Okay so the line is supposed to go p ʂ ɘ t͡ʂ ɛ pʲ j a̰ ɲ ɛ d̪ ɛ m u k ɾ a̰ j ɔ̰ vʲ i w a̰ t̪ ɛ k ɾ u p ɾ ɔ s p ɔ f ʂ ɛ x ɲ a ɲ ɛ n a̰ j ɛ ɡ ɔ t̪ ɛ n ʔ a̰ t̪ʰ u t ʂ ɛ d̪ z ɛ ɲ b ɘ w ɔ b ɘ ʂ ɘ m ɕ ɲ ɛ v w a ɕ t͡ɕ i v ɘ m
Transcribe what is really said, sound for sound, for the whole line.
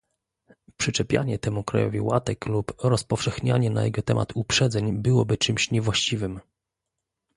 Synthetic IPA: p ʂ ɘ t͡ʂ ɛ pʲ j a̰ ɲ ɛ t̪ ɛ m u k ɾ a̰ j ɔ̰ vʲ i w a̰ t̪ ɛ k l u p ɾ ɔ s p ɔ f ʂ ɛ x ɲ a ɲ ɛ n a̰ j ɛ ɡ ɔ t̪ ɛ m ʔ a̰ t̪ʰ u p ʂ ɛ d̪ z ɛ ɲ b ɘ w ɔ b ɘ t͡ʂ ɘ m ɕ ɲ ɛ v w a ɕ t͡ɕ i v ɘ m